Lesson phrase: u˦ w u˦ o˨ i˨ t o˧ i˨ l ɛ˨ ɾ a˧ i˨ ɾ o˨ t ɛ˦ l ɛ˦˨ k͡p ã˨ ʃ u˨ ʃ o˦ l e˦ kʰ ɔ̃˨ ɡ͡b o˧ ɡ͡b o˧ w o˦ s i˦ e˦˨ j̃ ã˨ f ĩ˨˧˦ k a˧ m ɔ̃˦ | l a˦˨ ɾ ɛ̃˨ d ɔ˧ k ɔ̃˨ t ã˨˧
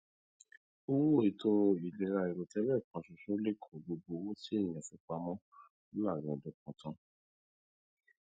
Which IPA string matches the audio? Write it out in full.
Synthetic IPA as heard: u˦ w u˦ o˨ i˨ t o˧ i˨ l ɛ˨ ɾ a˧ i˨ ɾ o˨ t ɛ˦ l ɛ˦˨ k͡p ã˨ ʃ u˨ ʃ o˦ l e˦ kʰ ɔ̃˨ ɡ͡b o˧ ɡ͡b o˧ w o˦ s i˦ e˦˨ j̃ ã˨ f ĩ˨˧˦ k͡p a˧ m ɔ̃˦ | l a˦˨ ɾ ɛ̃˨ d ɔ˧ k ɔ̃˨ t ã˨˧